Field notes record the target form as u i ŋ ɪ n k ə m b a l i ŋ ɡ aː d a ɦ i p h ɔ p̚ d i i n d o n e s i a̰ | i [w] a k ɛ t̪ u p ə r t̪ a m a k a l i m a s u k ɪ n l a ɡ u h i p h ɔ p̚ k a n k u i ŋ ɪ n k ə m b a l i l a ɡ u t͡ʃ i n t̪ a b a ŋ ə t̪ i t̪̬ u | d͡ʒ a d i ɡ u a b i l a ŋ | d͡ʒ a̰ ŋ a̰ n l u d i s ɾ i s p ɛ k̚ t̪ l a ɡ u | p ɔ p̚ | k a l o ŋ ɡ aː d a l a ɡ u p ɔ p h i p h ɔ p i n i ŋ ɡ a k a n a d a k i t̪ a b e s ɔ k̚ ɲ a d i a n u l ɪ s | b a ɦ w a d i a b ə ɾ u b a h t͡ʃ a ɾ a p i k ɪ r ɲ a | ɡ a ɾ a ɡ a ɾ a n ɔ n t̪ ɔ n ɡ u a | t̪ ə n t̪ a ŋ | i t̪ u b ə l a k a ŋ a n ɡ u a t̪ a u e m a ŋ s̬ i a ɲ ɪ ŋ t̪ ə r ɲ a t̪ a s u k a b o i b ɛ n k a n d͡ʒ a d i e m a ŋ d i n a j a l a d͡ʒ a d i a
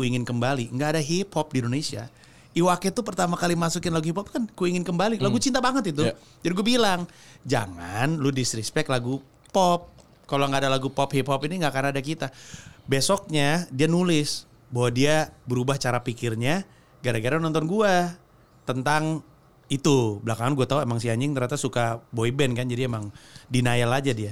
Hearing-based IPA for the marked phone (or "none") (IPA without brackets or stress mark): w